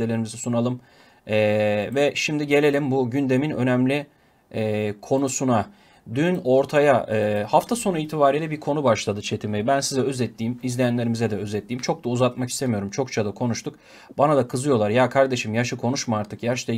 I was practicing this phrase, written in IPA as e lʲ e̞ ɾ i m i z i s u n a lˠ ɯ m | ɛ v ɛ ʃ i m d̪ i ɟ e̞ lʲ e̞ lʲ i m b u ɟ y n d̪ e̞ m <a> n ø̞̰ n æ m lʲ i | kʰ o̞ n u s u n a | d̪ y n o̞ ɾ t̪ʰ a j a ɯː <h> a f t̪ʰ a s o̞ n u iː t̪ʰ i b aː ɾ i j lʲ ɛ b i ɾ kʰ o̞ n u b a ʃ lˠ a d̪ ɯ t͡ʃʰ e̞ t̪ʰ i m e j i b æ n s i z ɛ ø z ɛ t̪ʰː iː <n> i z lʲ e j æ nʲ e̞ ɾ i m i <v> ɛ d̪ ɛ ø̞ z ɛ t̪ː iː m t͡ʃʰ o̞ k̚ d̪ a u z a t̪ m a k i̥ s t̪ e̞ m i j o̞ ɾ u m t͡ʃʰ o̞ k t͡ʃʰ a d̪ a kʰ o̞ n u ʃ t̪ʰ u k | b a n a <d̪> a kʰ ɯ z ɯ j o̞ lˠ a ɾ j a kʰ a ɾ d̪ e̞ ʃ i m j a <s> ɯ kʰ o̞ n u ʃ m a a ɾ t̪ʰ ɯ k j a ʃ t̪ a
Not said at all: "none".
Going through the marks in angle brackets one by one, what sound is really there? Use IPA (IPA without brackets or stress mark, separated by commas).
i, h, m, z, d̪, ʃ